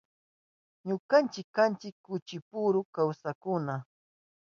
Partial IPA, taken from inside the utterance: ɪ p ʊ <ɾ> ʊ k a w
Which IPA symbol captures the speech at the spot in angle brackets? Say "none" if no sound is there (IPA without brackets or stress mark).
ɾ